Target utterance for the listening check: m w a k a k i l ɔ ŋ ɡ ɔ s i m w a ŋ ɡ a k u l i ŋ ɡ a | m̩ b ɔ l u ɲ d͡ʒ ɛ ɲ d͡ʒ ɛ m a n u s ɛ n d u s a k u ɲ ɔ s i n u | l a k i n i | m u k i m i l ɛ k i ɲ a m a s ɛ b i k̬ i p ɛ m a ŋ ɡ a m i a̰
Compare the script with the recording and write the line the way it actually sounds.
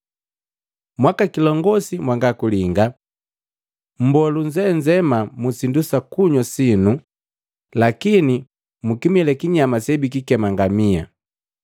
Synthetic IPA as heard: m w a k a k i l ɔ ŋ ɡ ɔ s i m w a ŋ ɡ a k u l i ŋ ɡ a | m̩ b ɔ l u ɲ d͡ʒ ɛ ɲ d͡ʒ ɛ m a m u s i n d u s a k u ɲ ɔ s i n u | l a k i n i | m u k i m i l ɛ k i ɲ a m a s ɛ b i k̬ i k ɛ m a ŋ ɡ a m i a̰